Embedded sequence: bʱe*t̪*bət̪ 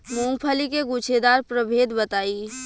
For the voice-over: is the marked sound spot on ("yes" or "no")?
no